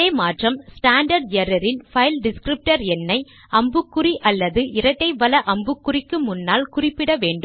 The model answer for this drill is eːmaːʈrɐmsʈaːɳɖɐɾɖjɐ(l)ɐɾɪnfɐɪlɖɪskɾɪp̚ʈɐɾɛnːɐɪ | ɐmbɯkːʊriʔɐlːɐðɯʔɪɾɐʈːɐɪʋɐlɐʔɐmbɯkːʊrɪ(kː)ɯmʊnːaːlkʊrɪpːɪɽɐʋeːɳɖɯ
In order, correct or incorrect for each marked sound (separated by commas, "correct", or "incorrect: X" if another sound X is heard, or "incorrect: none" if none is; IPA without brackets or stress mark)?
incorrect: ɾ, correct